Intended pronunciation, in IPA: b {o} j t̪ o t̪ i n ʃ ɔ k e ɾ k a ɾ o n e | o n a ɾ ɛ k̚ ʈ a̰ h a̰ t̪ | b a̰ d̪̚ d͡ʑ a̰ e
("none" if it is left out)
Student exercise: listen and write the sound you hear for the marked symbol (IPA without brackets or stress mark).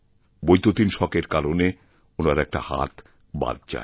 o